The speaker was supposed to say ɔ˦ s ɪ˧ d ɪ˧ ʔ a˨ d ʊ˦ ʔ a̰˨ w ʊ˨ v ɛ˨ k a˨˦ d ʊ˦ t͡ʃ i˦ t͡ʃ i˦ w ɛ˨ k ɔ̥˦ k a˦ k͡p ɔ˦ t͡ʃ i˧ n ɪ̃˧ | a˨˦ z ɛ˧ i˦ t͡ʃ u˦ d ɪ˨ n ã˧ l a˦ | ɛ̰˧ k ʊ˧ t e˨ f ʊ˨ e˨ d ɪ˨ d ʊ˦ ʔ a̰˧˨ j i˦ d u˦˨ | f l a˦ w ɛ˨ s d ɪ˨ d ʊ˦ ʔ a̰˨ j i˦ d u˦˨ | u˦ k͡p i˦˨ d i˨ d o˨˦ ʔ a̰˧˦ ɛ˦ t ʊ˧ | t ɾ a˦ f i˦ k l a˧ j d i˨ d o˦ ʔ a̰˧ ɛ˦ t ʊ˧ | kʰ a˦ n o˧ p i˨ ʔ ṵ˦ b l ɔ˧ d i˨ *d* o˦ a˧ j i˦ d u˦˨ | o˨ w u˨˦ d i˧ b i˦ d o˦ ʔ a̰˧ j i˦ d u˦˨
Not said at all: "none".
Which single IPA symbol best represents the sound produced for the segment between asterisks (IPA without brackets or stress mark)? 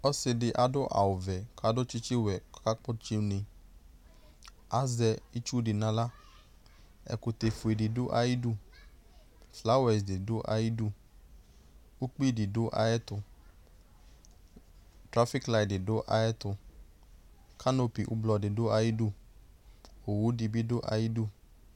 d